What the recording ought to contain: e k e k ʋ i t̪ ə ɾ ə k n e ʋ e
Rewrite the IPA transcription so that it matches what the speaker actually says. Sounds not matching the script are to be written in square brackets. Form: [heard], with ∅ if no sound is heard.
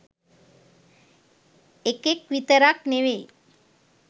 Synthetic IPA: e k e k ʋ i t̪ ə ɾ [a] k n e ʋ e